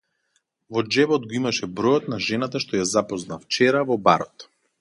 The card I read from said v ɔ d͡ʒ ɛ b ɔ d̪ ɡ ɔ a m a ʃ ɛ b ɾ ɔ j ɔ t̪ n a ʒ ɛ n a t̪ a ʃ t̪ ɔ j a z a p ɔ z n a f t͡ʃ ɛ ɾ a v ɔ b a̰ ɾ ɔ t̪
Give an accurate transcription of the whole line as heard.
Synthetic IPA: v ɔ d͡ʒ ɛ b ɔ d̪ ɡ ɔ i m a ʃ ɛ b ɾ ɔ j ɔ t̪ n a ʒ ɛ n a t̪ a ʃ t̪ ɔ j a z a p ɔ z n a f t͡ʃ ɛ ɾ a v ɔ b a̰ ɾ ɔ t̪